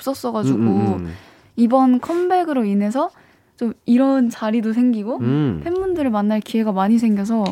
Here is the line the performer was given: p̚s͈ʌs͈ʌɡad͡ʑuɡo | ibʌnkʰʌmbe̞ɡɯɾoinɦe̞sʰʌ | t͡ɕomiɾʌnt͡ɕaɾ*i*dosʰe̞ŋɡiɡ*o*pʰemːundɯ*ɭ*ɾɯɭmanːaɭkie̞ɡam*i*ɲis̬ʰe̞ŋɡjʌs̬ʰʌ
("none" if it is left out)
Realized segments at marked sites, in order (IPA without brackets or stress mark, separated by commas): i, o, none, a